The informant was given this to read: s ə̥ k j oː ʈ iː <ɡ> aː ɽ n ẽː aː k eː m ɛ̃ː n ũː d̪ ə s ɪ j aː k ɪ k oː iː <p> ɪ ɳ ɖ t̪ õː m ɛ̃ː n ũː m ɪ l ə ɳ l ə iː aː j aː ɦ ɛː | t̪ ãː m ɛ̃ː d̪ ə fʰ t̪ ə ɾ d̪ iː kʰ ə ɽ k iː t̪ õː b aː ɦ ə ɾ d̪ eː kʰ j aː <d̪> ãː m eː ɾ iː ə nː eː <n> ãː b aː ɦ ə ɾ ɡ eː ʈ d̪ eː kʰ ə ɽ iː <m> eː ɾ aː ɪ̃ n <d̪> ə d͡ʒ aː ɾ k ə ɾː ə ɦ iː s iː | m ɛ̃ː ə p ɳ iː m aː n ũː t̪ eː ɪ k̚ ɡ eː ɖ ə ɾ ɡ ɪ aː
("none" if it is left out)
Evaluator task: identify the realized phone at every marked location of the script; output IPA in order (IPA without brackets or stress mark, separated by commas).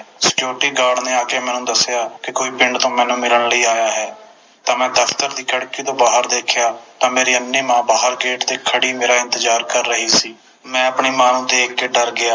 ɡ, p, t̪, m, m, t̪